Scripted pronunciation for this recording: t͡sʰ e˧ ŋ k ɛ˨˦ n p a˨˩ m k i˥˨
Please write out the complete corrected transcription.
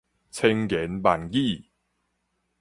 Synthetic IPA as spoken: t͡sʰ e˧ ŋ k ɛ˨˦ n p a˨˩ n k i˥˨

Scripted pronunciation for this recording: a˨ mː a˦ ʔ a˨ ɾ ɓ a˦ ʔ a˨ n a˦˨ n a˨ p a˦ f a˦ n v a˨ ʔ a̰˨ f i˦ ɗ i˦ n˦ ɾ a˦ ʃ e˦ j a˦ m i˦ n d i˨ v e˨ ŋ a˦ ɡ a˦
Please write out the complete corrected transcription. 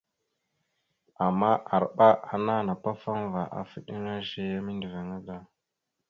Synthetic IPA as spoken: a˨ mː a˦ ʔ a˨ ɾ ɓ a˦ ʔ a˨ n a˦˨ n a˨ p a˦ f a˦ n v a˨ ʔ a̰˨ f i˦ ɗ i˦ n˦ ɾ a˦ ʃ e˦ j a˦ m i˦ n d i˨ v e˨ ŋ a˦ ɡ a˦

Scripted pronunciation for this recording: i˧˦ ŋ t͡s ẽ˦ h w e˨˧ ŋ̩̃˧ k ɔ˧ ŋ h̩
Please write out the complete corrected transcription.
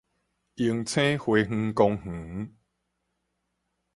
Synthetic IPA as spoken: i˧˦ ŋ t͡sʰ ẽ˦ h w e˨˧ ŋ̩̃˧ k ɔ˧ ŋ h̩

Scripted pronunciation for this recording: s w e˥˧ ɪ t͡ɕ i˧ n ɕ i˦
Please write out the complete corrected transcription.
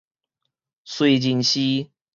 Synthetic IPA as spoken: s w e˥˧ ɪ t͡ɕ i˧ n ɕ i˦

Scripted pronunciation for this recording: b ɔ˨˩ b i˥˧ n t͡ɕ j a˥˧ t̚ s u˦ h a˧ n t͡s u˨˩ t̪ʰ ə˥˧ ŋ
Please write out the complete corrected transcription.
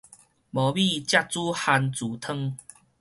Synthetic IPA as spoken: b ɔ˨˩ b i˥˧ t͡ɕ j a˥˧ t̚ t͡s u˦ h a˧ n t͡s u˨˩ t̪ʰ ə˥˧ ŋ

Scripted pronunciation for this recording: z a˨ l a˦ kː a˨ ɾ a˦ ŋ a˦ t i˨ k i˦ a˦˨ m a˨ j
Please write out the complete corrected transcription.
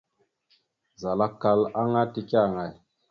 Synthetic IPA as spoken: z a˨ l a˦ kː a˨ l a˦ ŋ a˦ t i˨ k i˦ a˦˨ ŋ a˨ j

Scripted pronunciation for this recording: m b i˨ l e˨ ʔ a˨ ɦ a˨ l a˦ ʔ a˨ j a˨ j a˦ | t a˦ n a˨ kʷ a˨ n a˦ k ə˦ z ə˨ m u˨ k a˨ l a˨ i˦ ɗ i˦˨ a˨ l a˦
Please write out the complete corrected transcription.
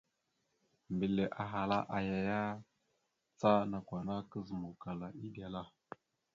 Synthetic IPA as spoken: m b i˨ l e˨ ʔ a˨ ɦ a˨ l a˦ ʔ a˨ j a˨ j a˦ | t͡s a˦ n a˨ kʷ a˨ n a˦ k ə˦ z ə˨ m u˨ k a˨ l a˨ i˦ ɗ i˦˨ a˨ l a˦

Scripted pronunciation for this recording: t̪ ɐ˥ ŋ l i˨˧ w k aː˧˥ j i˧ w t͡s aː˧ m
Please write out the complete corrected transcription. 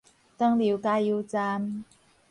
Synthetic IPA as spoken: t̪ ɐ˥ ŋ l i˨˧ w k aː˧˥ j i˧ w t͡s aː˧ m

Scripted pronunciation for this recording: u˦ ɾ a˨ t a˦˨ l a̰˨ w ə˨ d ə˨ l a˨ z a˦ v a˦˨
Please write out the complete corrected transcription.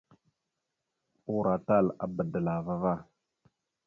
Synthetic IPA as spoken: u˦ ɾ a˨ t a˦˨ l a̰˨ b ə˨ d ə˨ l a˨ v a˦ v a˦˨

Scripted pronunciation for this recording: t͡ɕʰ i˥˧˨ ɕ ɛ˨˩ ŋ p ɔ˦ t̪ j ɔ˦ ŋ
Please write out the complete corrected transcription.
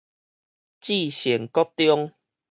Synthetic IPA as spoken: t͡ɕ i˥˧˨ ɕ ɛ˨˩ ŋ k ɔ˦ t̪ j ɔ˦ ŋ

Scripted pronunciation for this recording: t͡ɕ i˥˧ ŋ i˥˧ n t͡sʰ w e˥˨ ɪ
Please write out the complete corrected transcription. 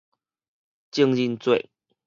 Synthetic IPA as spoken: t͡ɕ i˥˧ ŋ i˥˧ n t͡s w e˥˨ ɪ

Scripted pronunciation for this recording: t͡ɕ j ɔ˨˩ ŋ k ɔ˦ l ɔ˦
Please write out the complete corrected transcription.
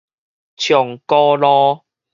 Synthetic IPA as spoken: t͡ɕʰ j ɔ˨˩ ŋ k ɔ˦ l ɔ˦

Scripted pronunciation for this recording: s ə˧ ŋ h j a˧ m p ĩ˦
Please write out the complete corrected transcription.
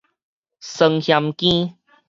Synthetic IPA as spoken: s ə˧ ŋ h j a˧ m k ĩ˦

